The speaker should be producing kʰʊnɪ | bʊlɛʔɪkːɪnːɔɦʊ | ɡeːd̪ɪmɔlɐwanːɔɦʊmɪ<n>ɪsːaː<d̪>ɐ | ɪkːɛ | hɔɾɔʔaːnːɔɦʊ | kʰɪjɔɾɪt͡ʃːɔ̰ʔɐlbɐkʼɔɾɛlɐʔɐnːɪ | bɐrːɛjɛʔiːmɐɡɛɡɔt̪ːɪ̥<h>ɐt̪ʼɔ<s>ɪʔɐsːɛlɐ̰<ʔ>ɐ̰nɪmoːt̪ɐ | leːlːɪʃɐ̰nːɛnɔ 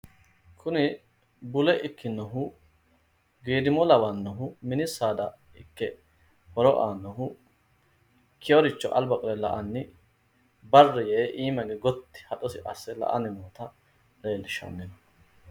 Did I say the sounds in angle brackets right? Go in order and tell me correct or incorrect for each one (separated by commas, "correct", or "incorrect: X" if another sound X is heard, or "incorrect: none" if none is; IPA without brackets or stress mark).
correct, correct, correct, correct, correct